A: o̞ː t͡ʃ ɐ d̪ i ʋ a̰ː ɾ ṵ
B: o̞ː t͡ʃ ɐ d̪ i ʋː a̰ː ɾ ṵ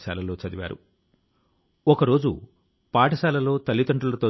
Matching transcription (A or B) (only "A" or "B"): A